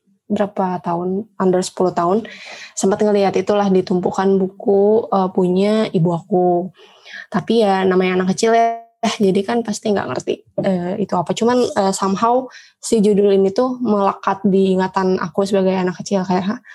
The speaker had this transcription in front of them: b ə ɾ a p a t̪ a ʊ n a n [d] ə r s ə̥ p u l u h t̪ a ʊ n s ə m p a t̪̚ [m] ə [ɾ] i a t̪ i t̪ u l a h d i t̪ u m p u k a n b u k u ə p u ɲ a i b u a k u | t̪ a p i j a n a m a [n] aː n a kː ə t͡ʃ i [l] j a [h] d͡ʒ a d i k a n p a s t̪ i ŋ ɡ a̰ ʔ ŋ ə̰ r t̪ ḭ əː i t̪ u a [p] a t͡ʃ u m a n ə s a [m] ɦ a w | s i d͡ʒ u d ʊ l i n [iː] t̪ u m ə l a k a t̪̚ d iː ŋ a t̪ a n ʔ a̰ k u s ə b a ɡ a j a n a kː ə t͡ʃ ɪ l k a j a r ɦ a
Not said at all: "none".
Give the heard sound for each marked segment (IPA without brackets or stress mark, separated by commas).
d, ŋ, l, ɲ, l, h, p, m, i